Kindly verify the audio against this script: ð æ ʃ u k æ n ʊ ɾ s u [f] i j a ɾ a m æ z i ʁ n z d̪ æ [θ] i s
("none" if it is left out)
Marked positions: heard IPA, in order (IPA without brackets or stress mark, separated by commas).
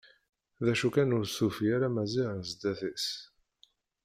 f, θ